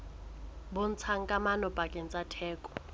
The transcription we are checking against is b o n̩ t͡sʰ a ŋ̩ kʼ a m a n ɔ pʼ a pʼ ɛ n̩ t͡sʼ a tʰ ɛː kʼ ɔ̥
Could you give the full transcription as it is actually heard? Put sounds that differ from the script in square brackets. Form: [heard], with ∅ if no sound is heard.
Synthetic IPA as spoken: b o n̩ t͡sʰ a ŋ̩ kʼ a m a n ɔ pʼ a [kʼ] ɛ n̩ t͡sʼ a tʰ ɛː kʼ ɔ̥